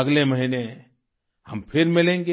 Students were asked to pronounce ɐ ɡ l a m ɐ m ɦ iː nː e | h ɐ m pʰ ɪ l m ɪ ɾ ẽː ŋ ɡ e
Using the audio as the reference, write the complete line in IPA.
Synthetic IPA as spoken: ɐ ɡ l e m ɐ ɦ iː n e | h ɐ m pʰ ɪ ɾ m ɪ l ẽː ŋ ɡ e